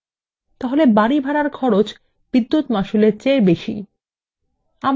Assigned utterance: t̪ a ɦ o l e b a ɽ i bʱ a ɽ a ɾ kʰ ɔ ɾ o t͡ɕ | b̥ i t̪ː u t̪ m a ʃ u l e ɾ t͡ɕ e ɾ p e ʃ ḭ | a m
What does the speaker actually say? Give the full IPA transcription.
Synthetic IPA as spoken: t̪ a ɦ o l e b a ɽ i bʱ a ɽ a ɾ kʰ ɔ ɾ o t͡ɕ | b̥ i d̪ː u t̪ m a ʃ u l e ɾ t͡ɕ e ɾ b e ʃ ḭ | a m